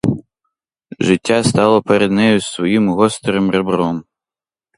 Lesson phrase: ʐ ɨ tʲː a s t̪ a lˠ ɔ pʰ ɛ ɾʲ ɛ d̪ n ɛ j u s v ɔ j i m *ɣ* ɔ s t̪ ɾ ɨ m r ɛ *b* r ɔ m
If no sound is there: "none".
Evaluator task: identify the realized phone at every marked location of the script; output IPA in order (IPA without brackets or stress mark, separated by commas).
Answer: ɣ, b